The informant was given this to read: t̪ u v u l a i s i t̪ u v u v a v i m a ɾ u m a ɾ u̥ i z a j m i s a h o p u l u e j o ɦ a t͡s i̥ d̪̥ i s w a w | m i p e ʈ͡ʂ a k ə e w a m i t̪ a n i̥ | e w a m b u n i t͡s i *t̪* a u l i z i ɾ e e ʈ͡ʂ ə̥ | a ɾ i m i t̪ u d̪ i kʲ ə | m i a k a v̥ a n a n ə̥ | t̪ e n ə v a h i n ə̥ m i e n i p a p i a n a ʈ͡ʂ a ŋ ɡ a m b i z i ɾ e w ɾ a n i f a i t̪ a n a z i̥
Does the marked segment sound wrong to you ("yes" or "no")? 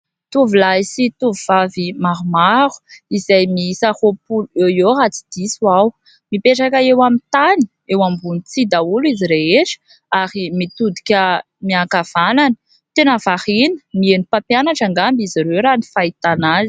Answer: yes